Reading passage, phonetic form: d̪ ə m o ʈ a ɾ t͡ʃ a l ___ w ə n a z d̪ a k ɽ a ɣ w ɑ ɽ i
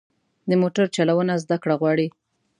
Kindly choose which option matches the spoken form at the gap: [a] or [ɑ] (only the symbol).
a